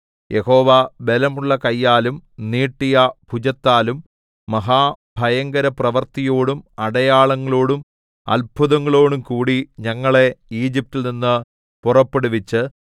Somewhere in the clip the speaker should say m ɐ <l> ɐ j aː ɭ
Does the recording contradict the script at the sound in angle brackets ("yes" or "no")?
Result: yes